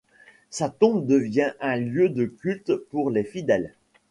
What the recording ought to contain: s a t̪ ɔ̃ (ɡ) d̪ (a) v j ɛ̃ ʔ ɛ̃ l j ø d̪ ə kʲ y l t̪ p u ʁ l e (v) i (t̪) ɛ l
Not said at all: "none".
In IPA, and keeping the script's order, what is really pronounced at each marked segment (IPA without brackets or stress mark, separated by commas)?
b, ə, f, d̪